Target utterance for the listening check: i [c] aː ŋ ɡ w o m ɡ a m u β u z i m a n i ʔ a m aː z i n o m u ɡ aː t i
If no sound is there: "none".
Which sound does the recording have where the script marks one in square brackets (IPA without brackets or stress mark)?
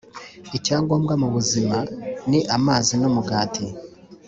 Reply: c